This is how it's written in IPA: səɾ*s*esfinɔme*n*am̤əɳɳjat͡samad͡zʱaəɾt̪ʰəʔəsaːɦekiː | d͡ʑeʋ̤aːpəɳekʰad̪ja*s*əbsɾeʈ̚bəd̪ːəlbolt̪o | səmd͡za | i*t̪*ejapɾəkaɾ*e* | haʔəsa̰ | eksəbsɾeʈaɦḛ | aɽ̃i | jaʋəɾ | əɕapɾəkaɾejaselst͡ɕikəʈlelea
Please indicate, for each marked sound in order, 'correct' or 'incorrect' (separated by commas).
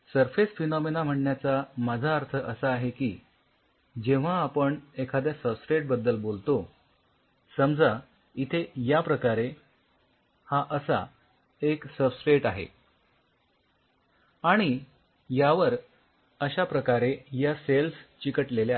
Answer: incorrect, correct, correct, incorrect, correct